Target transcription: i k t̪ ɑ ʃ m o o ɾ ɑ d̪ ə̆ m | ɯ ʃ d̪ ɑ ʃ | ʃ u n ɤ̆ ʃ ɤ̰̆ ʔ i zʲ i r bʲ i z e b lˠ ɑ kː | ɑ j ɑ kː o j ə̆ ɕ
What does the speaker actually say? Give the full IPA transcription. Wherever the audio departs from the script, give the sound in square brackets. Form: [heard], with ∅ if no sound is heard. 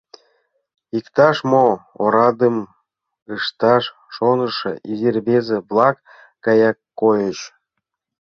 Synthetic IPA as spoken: i k t̪ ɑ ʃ m o o ɾ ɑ d̪ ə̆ m | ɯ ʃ [t̪] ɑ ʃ | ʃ [o] n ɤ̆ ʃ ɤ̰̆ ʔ i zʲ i r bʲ [e] z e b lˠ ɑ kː | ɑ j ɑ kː o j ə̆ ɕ